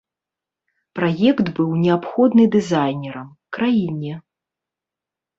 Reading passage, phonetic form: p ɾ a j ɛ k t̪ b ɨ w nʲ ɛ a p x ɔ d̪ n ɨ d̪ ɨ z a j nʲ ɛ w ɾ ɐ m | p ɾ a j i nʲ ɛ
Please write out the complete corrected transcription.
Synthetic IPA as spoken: p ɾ a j ɛ k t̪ b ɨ w nʲ ɛ a p x ɔ d̪ n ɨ d̪ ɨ z a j nʲ ɛ ɾ ɐ m | k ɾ a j i nʲ ɛ